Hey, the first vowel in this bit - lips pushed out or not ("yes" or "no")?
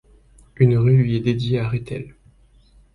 yes